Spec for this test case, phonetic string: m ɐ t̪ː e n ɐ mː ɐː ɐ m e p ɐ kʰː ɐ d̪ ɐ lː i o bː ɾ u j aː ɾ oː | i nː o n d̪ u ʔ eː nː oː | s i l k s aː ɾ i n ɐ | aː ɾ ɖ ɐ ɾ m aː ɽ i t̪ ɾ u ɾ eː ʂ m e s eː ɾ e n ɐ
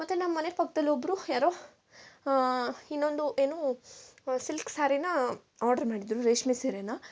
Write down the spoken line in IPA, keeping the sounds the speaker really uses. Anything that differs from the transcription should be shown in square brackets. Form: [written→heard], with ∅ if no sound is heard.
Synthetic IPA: m ɐ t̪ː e n ɐ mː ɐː ɐ [m→n] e p ɐ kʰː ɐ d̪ ɐ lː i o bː ɾ u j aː ɾ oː | i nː o n d̪ u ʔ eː [nː→n] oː | s i l k s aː ɾ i n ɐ | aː ɾ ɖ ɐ ɾ m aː ɽ i [t̪→d̪] ɾ u ɾ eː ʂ m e s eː ɾ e n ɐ

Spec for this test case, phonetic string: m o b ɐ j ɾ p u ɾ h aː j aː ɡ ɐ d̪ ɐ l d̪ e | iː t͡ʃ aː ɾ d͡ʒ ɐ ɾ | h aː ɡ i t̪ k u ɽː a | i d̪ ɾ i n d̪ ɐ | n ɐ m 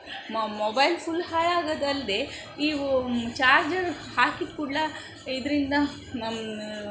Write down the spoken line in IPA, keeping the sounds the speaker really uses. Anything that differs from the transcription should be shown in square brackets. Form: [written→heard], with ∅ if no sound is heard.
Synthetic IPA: m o b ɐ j [ɾ→l] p u [ɾ→l] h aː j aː ɡ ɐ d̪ ɐ l d̪ e | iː t͡ʃ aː ɾ d͡ʒ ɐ ɾ | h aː [ɡ→k] i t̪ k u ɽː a | i d̪ ɾ i n d̪ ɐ | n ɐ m

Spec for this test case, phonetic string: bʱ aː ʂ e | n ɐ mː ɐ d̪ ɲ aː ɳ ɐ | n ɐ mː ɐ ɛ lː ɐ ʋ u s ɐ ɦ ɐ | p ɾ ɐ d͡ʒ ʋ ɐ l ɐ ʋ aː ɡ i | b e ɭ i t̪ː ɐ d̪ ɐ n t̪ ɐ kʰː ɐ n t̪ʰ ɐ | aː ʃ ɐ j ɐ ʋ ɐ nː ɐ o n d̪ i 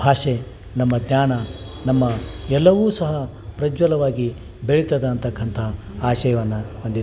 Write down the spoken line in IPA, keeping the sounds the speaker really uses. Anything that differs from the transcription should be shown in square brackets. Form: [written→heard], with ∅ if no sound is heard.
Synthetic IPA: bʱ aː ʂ e | n ɐ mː ɐ d̪ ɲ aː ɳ ɐ | n ɐ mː ɐ ɛ lː ɐ ʋ [u→uː] s ɐ ɦ ɐ | p ɾ ɐ d͡ʒ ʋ ɐ l ɐ ʋ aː ɡ i | b e ɭ i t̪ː ɐ d̪ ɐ n t̪ ɐ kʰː ɐ n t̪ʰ ɐ | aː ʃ ɐ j ɐ ʋ ɐ nː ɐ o n d̪ i

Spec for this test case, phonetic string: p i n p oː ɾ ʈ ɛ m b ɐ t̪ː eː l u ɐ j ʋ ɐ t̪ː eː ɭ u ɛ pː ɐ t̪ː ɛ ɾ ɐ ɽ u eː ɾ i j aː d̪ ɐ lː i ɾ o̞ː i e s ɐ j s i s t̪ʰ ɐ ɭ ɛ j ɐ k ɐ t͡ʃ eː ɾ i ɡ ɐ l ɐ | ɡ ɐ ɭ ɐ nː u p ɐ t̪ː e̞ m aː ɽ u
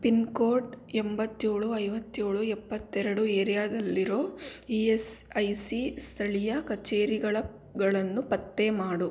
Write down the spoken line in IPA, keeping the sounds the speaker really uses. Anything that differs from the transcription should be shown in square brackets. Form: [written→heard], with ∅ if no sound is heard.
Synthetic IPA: p i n [p→k] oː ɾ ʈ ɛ m b ɐ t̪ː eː [l→ɭ] u ɐ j ʋ ɐ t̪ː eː ɭ u ɛ pː ɐ t̪ː ɛ ɾ ɐ ɽ u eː ɾ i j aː d̪ ɐ lː i ɾ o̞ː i e s ɐ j s i s t̪ʰ ɐ ɭ [ɛ→i] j ɐ k ɐ t͡ʃ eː ɾ i ɡ ɐ [l→ɭ] ɐ | ɡ ɐ ɭ ɐ nː u p ɐ t̪ː e̞ m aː ɽ u

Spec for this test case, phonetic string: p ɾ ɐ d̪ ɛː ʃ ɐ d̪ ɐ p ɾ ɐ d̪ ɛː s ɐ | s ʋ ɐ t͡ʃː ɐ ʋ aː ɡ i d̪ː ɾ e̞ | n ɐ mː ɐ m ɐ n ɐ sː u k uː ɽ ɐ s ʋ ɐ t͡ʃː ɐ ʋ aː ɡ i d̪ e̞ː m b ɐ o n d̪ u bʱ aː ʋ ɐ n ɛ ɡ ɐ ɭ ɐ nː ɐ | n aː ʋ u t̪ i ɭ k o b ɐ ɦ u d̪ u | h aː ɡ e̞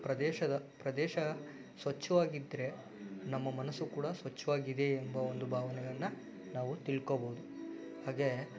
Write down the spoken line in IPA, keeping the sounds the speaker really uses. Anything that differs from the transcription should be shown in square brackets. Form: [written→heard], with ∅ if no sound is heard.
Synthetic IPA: p ɾ ɐ d̪ ɛː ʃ ɐ d̪ ɐ p ɾ ɐ d̪ ɛː [s→ʃ] ɐ | s ʋ ɐ t͡ʃː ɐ ʋ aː ɡ i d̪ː ɾ e̞ | n ɐ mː ɐ m ɐ n ɐ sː u k uː ɽ ɐ s ʋ ɐ t͡ʃː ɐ ʋ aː ɡ i d̪ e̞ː m b ɐ o n d̪ u bʱ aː ʋ ɐ n ɛ ɡ ɐ ɭ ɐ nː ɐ | n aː ʋ u t̪ i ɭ k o b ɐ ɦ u d̪ u | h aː ɡ e̞

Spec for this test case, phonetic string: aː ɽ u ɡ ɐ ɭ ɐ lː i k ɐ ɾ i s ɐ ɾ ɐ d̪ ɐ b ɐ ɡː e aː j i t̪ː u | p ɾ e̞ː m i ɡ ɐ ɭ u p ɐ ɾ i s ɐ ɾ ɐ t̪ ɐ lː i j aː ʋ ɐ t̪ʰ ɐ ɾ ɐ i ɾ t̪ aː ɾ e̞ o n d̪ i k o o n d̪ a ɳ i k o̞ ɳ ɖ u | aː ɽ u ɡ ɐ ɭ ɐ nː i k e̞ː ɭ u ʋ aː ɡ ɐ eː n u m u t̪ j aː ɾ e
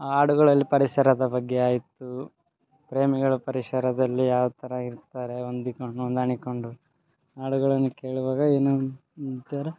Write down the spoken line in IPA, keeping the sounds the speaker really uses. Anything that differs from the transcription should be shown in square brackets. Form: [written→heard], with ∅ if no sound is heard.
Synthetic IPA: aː ɽ u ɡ ɐ ɭ ɐ lː i [k→p] ɐ ɾ i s ɐ ɾ ɐ d̪ ɐ b ɐ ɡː e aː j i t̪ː u | p ɾ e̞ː m i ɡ ɐ ɭ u p ɐ ɾ i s ɐ ɾ ɐ [t̪→d̪] ɐ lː i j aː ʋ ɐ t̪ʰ ɐ ɾ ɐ i ɾ t̪ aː ɾ e̞ o n d̪ i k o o n d̪ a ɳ i k o̞ ɳ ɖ u | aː ɽ u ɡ ɐ ɭ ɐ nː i k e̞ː ɭ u ʋ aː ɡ ɐ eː n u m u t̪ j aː ɾ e

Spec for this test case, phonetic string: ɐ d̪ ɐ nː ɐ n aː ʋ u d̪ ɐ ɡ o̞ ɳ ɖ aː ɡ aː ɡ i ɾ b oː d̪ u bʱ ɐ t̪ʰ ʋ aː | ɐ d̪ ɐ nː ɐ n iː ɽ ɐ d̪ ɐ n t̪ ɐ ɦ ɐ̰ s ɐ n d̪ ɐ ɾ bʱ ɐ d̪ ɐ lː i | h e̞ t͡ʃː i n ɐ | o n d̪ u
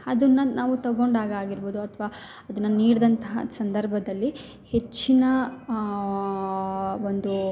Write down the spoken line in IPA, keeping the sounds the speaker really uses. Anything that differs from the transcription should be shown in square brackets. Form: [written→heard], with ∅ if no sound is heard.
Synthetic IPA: ɐ d̪ ɐ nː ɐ n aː ʋ u [d̪→t̪] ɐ ɡ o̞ ɳ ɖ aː ɡ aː ɡ i ɾ b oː d̪ u [bʱ→∅] ɐ t̪ʰ ʋ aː | ɐ d̪ ɐ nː ɐ n iː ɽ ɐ d̪ ɐ n t̪ ɐ ɦ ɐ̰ s ɐ n d̪ ɐ ɾ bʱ ɐ d̪ ɐ lː i | h e̞ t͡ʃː i n ɐ | o n d̪ u

